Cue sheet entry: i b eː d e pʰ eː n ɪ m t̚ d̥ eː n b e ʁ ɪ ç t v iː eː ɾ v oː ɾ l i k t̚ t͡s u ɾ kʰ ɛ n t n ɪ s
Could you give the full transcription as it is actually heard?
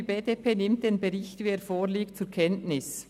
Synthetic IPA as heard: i b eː d e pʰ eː n ɪ m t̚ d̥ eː n b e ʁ ɪ ç t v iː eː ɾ f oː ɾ l iː k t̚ t͡s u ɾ kʰ ɛ n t n ɪ s